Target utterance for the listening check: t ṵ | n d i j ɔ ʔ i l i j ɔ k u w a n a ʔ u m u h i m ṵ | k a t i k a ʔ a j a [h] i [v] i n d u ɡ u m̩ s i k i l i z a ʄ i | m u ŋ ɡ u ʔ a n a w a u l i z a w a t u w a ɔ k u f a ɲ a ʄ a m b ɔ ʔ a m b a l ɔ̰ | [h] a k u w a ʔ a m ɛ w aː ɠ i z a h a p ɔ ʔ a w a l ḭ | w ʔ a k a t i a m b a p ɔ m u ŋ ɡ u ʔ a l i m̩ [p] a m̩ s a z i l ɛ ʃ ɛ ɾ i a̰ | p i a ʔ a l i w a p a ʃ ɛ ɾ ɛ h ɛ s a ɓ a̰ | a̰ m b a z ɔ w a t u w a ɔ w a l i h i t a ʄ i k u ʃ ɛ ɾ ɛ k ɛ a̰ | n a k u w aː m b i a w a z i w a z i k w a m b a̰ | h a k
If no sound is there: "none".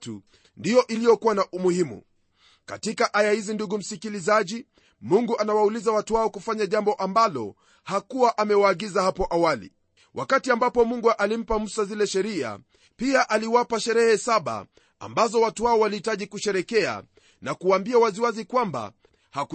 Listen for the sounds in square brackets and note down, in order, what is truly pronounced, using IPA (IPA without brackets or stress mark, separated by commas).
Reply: h, z, h, p